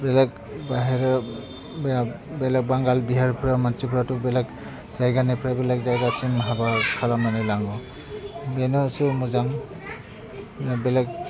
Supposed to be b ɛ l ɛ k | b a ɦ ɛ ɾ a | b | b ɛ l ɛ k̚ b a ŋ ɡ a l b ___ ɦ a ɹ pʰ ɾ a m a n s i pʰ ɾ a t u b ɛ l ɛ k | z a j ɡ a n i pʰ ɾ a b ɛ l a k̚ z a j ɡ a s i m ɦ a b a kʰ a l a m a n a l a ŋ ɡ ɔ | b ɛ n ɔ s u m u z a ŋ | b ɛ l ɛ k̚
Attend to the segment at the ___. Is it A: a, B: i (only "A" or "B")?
B